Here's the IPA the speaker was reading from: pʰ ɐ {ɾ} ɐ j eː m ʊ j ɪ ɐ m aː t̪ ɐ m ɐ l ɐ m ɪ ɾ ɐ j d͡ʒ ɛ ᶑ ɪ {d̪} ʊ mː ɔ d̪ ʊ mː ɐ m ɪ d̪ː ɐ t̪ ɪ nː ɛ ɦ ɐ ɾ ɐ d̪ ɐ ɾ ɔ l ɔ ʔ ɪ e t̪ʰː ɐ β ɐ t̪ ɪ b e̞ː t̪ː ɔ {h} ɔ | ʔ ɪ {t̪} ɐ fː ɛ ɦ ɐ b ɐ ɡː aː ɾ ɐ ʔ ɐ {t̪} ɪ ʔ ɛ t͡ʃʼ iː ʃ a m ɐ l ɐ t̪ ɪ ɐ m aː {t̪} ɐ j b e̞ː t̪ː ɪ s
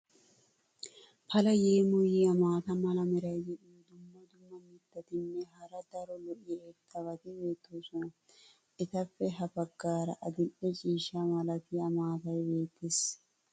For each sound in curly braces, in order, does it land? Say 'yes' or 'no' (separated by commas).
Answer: no, yes, no, yes, no, yes